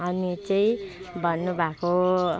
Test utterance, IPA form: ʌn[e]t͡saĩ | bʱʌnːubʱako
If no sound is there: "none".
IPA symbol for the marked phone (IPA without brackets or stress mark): i